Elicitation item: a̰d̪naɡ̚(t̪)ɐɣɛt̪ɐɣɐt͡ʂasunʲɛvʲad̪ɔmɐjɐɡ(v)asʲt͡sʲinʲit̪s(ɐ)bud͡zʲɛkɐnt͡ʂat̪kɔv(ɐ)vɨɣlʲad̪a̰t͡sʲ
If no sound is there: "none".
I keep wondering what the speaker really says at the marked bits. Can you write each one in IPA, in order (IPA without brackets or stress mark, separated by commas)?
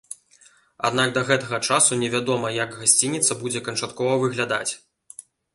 d̪, ɣ, ɐ, ɐ